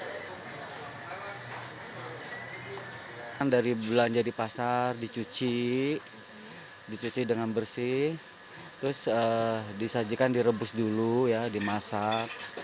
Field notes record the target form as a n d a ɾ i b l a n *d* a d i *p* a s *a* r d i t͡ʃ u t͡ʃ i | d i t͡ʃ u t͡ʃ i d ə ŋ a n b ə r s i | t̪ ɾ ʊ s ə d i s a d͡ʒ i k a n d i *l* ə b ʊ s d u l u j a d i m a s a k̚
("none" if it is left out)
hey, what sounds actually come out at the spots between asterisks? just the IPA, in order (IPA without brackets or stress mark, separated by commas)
d͡ʒ, p, a, ɾ